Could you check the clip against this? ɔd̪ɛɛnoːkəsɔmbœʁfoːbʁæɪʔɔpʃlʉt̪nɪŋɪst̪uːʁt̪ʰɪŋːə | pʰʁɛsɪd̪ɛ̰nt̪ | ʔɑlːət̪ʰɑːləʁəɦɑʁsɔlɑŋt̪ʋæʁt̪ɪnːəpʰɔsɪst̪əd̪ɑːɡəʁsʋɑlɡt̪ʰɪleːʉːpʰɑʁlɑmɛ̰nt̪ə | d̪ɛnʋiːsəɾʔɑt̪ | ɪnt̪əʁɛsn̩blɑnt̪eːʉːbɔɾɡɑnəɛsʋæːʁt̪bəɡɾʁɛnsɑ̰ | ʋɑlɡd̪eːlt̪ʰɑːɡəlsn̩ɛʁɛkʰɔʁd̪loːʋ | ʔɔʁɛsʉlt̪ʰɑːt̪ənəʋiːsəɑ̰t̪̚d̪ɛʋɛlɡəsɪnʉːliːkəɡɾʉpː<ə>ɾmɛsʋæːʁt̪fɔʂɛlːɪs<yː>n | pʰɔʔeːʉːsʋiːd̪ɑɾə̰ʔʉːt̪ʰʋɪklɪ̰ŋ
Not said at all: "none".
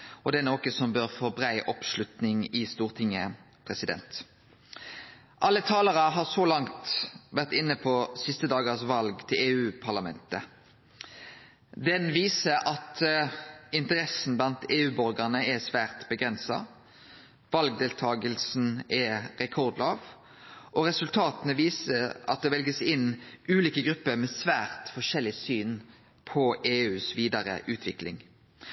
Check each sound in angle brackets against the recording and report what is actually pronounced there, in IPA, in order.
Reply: ə, yː

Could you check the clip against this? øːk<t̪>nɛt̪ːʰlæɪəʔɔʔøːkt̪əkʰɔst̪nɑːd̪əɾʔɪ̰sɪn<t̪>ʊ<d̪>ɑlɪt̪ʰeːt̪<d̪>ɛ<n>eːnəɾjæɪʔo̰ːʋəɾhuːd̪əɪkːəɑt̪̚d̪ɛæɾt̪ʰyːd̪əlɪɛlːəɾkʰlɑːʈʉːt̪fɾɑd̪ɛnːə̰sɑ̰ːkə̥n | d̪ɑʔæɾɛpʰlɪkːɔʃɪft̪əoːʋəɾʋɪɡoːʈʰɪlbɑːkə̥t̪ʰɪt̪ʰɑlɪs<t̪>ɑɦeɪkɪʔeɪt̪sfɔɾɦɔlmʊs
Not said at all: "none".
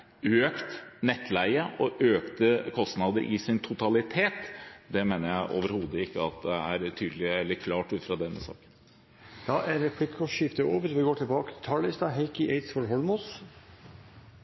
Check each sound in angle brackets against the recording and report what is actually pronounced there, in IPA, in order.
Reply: t̪, t̪ʰ, t̪, d̪, m, t̪

